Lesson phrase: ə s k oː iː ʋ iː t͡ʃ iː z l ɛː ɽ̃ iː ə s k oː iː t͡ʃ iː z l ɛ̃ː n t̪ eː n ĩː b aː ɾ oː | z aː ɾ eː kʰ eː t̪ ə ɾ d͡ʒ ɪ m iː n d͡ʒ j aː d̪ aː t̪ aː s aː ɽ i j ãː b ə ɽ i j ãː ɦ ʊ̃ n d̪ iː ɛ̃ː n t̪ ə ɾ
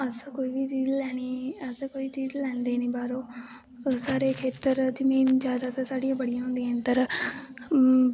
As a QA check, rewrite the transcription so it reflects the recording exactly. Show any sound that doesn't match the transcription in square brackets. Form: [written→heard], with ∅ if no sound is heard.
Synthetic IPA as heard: ə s k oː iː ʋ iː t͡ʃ iː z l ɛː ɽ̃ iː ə s k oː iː t͡ʃ iː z l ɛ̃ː n [t̪→d̪] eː n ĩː b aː ɾ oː | [z→s] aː ɾ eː kʰ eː t̪ ə ɾ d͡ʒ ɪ m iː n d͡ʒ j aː d̪ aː t̪ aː s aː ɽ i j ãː b ə ɽ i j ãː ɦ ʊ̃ n d̪ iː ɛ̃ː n t̪ ə ɾ